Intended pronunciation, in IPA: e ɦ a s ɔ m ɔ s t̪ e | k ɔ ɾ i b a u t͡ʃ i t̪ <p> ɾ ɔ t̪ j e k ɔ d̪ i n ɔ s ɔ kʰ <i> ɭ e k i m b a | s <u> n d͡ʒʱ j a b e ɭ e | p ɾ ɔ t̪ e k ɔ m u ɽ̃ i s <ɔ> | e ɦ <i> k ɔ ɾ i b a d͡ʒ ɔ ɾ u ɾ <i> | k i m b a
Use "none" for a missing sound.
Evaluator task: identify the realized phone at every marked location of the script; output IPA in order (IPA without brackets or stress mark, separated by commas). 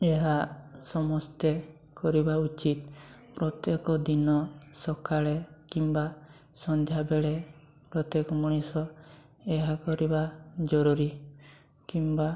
p, a, ɔ, ɔ, a, i